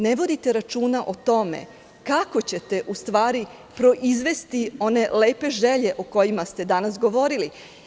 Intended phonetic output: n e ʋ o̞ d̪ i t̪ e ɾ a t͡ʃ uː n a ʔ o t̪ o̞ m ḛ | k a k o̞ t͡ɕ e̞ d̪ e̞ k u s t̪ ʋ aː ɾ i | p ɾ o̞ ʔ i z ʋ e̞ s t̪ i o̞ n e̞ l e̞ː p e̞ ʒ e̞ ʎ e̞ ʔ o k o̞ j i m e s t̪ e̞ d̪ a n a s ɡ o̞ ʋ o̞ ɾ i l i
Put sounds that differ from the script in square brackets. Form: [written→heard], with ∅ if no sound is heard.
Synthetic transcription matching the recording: n e ʋ o̞ d̪ i t̪ e ɾ a t͡ʃ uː n a ʔ o t̪ o̞ m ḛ | k a k o̞ t͡ɕ e̞ [d̪→t̪] e̞ [k→ʔ] u s t̪ ʋ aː ɾ i | p ɾ o̞ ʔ i z ʋ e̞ s t̪ i o̞ n e̞ l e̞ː p e̞ ʒ e̞ ʎ e̞ ʔ o k o̞ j i m [e→a] s t̪ e̞ d̪ a n a s ɡ o̞ ʋ o̞ ɾ i l i